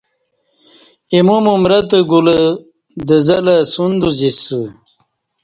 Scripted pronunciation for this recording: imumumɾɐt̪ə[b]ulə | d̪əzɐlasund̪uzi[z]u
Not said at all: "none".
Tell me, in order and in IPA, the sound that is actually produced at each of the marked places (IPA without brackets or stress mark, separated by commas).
ɡ, s